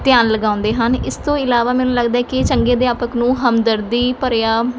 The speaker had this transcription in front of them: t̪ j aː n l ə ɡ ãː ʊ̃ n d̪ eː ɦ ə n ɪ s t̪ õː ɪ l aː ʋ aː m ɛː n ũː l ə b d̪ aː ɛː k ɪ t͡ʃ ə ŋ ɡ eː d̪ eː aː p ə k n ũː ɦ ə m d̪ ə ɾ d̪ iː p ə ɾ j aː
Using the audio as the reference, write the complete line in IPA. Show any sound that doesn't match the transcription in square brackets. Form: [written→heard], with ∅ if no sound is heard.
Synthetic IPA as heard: t̪ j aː n l ə ɡ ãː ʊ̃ n d̪ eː ɦ ə n ɪ s t̪ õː ɪ l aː ʋ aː m ɛː n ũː l ə [b→ɡ] d̪ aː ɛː k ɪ t͡ʃ ə ŋ ɡ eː d̪ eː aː p ə k n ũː ɦ ə m d̪ ə ɾ d̪ iː p ə ɾ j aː